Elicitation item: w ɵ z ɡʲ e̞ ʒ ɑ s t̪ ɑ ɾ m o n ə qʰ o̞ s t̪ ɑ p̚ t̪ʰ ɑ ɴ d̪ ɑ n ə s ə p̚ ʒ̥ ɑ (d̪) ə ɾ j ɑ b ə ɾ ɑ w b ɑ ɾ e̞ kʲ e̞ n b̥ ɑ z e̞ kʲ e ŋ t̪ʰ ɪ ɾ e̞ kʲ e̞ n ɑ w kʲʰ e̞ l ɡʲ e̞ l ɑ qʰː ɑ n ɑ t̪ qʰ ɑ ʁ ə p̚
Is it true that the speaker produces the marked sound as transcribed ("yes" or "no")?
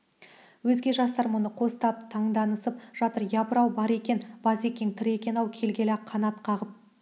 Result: no